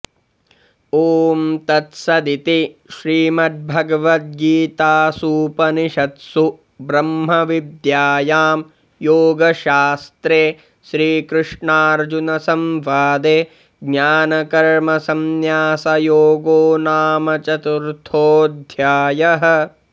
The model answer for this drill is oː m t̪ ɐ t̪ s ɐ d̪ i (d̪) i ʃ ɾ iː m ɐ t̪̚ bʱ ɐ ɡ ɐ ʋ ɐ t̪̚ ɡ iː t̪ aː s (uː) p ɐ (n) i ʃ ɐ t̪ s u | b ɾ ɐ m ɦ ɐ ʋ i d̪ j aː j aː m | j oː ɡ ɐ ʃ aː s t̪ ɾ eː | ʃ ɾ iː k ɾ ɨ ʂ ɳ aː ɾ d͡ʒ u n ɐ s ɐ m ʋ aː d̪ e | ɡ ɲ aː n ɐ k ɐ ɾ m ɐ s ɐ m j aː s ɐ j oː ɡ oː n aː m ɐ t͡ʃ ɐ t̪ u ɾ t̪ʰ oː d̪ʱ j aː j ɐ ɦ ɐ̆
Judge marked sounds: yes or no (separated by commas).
no, yes, yes